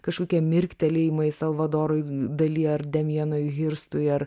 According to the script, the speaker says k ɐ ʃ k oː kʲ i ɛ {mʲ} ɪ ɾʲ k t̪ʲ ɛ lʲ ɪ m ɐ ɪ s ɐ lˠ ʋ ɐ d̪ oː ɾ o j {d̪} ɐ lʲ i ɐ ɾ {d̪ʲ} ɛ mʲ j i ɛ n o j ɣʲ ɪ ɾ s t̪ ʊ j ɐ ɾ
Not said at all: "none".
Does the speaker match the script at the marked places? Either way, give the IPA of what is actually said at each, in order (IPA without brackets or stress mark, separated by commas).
mʲ, d̪, d̪ʲ